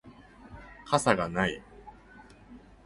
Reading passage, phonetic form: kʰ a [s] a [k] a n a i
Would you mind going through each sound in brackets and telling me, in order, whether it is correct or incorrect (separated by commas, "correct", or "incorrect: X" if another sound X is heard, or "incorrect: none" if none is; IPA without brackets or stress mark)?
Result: correct, incorrect: ɡ